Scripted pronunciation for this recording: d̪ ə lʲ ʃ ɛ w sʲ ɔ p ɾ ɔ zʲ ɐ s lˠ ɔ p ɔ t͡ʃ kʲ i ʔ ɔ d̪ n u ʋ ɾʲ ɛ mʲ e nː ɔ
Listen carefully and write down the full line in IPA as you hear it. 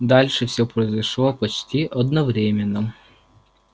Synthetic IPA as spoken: d̪ ɑ lʲ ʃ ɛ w sʲ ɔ p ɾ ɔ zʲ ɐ ʃ lˠ ɔ p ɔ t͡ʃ tʲ i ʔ ɔ d̪ n ɔ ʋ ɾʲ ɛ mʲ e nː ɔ